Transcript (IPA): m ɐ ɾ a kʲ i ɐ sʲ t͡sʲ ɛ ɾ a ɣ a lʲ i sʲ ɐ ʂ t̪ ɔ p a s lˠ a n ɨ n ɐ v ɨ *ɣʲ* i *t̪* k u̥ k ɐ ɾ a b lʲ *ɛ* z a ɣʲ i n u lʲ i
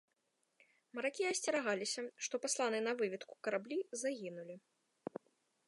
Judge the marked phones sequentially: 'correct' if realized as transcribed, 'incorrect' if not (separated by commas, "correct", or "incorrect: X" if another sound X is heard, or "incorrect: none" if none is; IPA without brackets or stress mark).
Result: incorrect: vʲ, correct, incorrect: i